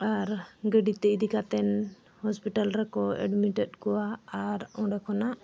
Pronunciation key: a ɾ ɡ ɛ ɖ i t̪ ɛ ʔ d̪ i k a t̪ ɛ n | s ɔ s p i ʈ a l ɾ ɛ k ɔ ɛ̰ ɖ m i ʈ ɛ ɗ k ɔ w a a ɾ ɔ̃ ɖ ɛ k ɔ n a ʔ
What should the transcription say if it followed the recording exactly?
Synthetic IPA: a ɾ ɡ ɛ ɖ i t̪ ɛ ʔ d̪ i k a t̪ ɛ n | h ɔ s p i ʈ a l ɾ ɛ k ɔ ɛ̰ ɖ m i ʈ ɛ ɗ k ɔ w a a ɾ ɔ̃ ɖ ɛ k ɔ n a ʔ

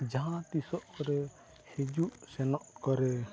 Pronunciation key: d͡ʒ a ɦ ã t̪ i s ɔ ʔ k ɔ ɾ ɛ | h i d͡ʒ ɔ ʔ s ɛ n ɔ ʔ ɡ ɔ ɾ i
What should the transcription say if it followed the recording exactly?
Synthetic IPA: d͡ʒ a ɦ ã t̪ i s ɔ ʔ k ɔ ɾ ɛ | h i d͡ʒ u ʔ s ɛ n ɔ ʔ k ɔ ɾ ɛ

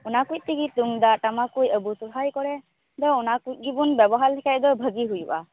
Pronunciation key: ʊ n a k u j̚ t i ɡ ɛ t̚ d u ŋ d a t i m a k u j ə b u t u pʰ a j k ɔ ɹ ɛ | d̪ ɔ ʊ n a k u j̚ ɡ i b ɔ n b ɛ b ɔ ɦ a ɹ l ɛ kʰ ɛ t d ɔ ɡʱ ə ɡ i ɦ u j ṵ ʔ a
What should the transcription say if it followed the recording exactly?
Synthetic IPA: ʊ n a k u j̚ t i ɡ i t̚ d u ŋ d a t a m a k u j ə b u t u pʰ a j k ɔ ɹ ɛ | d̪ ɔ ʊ n a k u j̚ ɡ i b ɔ n b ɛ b ɔ ɦ a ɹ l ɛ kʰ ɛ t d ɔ bʱ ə ɡ i ɦ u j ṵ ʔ a

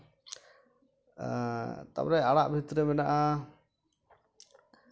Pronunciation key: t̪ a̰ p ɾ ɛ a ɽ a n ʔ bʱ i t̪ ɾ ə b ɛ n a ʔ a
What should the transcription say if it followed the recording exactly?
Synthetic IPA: t̪ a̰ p ɾ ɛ a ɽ a ʔ bʱ i t̪ ɾ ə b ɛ n a ʔ a

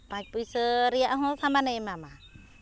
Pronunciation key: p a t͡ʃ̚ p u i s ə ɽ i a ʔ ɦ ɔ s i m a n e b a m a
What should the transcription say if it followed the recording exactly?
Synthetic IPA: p a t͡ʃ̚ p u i s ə ɾ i a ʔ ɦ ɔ s a m a n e m a m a

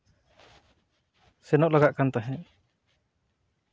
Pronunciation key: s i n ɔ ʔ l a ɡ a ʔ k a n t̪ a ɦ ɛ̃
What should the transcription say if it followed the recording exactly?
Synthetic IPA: s ɛ n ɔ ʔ l a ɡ a ʔ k a n t̪ a ɦ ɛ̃

